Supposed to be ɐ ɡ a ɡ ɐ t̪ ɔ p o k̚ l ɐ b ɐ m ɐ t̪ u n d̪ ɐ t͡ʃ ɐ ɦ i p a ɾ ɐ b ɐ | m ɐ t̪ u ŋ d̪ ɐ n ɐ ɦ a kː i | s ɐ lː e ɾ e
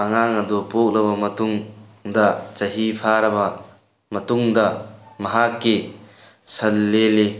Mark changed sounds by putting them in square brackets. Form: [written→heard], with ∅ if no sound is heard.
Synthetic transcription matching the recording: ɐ [ɡ→ŋ] a [ɡ→ŋ] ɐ [t̪→d̪] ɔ p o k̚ l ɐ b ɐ m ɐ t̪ u [n→ŋ] d̪ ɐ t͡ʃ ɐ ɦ i [p→pʰ] a ɾ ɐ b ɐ | m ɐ t̪ u ŋ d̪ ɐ [n→m] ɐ ɦ a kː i | s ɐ lː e [ɾ→l] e